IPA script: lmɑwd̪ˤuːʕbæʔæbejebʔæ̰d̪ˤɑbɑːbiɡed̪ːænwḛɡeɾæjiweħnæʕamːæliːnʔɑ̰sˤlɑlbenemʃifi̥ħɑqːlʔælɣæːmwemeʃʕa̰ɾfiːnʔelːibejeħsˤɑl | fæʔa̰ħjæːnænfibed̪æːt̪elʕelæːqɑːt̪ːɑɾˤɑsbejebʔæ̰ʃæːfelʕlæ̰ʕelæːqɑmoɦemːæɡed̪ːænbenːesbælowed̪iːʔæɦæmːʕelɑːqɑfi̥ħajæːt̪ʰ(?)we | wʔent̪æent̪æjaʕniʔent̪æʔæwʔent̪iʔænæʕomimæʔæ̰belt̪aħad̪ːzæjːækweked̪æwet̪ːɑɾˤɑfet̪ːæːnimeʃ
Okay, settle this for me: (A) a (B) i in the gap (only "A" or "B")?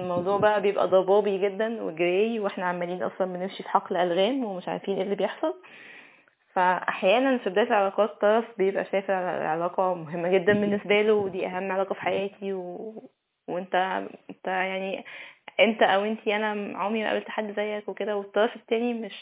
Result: B